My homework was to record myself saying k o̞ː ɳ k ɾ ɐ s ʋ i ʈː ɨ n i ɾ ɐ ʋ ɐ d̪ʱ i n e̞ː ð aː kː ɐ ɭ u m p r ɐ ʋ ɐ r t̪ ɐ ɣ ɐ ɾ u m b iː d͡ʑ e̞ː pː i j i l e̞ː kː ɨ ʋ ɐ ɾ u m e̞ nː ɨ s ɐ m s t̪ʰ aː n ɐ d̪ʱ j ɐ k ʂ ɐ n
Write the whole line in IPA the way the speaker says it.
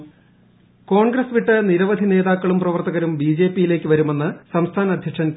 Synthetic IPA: k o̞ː ɳ ɡ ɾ ɐ s ʋ i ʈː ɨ n i ɾ ɐ ʋ ɐ d̪ʱ i n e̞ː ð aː kː ɐ ɭ u m p r ɐ ʋ ɐ r t̪ ɐ ɣ ɐ ɾ u m b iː d͡ʑ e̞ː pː i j i l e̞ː kː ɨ ʋ ɐ ɾ u m e̞ nː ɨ s ɐ m s t̪ʰ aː n ɐ d̪ʱ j ɐ k ʂ ɐ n